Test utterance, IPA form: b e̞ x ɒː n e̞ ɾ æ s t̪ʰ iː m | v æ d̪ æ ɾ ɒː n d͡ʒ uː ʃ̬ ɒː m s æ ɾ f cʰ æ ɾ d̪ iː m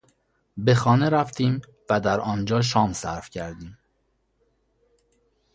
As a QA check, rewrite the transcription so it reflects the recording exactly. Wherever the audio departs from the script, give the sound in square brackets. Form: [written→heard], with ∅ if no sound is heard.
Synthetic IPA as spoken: b e̞ x ɒː n e̞ ɾ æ [s→f] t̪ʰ iː m | v æ d̪ æ ɾ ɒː n d͡ʒ [uː→ɒː] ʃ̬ ɒː m s æ ɾ f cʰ æ ɾ d̪ iː m